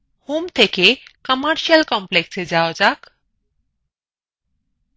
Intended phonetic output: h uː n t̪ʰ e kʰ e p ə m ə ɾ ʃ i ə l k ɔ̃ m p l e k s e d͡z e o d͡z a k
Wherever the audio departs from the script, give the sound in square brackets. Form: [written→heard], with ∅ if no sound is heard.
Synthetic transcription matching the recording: h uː [n→m] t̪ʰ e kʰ e [p→k] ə m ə ɾ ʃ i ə l k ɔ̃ m p l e k s e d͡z [e→a] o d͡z a k